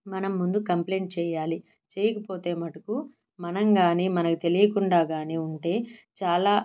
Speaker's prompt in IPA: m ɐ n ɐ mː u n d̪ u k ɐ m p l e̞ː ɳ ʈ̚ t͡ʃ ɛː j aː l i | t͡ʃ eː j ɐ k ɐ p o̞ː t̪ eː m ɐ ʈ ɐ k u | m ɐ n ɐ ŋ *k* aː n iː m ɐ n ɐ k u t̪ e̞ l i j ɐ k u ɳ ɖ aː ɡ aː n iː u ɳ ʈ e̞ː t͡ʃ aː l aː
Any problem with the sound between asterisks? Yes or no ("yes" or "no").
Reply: yes